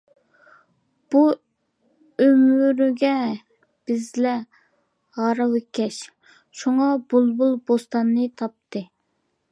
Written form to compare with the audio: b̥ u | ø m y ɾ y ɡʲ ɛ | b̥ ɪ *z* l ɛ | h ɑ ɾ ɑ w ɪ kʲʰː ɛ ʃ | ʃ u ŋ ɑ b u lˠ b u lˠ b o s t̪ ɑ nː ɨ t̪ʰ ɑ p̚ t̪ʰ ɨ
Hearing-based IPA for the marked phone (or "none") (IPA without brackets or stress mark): z